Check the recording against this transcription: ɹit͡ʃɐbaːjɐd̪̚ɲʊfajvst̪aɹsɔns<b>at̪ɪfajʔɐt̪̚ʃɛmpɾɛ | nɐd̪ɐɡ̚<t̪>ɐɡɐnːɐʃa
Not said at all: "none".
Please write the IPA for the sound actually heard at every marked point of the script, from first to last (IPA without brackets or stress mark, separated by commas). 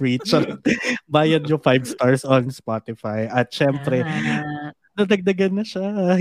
p, d̪